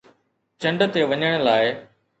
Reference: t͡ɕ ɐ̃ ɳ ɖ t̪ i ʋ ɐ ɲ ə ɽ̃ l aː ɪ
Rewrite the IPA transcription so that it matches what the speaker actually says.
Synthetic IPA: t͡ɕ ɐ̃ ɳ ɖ t̪ e ʋ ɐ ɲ ə ɽ̃ l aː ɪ